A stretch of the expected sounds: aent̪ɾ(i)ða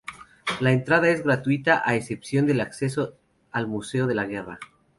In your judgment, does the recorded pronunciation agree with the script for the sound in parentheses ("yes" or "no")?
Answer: no